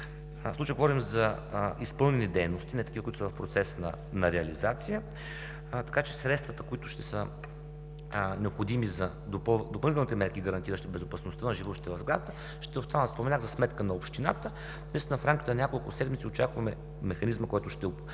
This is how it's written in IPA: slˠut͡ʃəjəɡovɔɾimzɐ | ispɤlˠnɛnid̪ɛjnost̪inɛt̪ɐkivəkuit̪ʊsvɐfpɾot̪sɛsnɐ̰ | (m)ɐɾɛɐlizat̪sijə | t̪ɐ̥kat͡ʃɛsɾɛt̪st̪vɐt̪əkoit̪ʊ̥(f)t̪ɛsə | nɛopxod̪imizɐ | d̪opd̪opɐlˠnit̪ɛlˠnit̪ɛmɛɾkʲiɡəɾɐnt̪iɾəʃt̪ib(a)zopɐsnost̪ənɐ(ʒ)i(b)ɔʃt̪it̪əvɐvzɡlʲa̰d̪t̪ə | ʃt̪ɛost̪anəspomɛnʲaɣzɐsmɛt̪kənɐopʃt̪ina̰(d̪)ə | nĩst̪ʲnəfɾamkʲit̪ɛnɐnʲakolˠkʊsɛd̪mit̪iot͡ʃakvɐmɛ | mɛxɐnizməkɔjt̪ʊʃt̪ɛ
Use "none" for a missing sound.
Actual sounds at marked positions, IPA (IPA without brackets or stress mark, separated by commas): n, ʃ, ɛ, ʒ, v, t̪